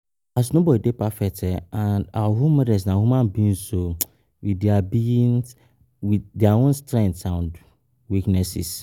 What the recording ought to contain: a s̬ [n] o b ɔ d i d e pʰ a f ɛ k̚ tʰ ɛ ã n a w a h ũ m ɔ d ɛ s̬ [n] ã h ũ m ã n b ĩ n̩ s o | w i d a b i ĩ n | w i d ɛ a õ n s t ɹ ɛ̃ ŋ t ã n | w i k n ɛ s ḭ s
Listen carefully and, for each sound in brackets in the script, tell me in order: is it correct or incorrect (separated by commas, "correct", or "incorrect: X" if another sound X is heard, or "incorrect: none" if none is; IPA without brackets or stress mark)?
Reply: correct, correct